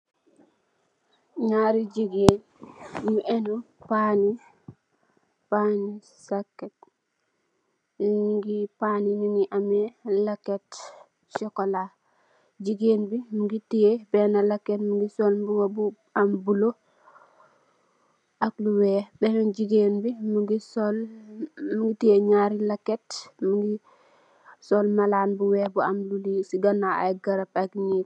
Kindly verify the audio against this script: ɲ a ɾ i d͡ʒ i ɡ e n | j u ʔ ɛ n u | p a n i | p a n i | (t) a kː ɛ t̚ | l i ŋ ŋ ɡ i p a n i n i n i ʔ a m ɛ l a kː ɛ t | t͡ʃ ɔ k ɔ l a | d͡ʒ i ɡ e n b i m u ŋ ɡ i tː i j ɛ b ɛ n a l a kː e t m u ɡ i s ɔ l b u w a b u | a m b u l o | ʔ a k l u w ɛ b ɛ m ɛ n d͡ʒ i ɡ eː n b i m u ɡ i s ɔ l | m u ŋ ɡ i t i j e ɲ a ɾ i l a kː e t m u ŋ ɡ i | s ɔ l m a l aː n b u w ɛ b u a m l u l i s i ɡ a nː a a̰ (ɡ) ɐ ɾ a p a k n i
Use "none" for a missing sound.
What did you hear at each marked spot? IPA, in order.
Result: s, ɡ

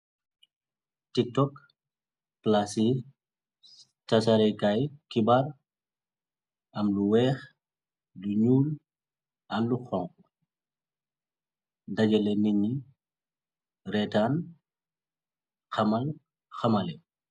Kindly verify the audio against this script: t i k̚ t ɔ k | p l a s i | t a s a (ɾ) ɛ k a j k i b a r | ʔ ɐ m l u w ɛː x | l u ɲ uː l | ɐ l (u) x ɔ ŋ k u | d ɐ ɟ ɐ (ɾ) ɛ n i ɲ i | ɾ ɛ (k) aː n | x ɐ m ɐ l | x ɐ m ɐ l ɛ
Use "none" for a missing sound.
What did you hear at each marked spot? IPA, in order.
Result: ɾ, u, l, t

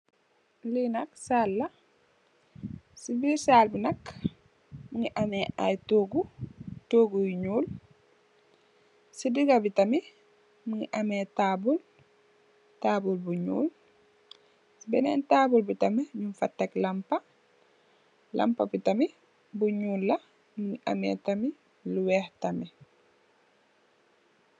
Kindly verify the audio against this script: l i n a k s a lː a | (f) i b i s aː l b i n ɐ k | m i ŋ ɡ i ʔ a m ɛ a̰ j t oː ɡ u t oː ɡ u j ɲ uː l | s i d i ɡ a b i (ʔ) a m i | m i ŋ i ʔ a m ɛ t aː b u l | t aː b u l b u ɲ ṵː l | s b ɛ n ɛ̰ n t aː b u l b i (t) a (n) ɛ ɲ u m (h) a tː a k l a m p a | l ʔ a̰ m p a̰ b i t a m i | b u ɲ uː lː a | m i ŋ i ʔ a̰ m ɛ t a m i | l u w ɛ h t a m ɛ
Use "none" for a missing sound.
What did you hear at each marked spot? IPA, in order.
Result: s, t, t, m, f

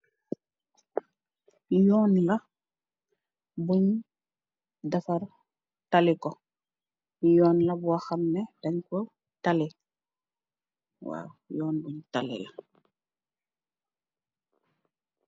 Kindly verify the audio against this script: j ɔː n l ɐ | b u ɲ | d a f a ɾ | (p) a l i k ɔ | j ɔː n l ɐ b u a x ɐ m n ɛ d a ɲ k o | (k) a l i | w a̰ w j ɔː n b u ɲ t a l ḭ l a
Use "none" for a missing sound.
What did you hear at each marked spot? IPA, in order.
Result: t, t

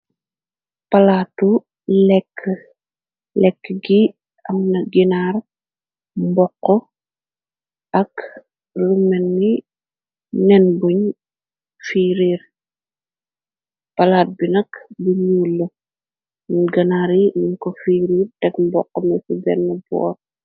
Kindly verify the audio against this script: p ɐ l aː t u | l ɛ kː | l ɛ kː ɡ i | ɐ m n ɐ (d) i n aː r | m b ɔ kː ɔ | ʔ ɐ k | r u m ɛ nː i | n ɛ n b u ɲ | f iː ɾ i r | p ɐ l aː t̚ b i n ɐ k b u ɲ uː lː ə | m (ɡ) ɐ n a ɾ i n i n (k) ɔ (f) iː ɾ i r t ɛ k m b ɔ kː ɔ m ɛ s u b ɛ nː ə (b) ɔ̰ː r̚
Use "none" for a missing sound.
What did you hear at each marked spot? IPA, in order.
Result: ɡ, ɡ, k, f, b

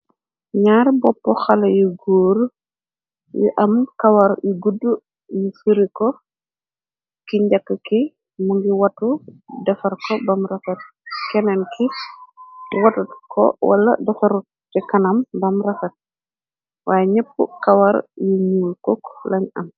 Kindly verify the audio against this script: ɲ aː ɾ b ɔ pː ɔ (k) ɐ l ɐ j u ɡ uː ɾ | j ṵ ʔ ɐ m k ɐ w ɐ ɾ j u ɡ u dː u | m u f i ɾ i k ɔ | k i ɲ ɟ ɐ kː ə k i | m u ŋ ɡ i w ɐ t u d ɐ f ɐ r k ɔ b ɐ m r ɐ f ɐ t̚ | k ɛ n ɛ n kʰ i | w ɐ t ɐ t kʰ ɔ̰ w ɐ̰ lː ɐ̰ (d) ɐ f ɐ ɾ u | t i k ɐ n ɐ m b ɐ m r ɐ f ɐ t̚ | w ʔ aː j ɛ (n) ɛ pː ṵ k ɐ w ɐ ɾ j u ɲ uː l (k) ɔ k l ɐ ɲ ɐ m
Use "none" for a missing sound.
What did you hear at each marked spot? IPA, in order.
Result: x, d, ɲ, k

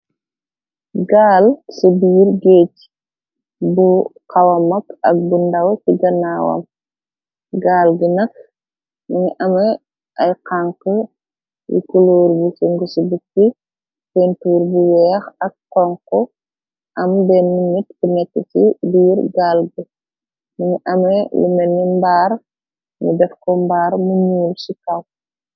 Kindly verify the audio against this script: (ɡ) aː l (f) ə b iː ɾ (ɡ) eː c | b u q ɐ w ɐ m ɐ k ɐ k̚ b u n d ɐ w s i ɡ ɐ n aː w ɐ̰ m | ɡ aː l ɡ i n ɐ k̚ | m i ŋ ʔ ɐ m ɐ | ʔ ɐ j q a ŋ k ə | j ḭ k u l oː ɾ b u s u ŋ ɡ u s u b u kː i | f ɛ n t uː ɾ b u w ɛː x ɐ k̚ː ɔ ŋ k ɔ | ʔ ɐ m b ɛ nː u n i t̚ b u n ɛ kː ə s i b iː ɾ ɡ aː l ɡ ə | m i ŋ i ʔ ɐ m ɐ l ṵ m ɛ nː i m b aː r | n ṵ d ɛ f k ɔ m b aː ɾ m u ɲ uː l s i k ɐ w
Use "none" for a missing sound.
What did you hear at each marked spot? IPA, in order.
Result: ɡ, s, ɡ

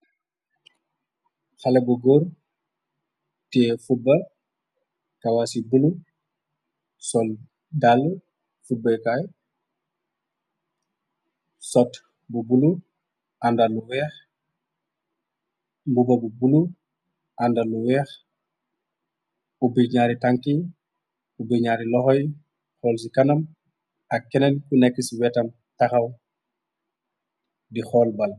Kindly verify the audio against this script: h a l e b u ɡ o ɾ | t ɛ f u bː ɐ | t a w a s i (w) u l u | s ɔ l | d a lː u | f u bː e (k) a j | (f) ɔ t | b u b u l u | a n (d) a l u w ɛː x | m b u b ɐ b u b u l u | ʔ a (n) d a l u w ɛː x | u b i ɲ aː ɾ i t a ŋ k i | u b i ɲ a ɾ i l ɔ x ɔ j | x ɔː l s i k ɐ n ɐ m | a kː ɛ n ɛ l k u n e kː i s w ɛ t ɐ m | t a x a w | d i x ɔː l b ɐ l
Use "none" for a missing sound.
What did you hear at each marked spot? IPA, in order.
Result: b, k, s, d, n

